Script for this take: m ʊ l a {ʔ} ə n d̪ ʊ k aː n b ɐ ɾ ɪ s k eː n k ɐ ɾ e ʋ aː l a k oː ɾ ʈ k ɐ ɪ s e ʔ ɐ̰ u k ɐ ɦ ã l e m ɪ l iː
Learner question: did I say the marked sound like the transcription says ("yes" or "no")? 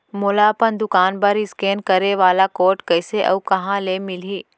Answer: no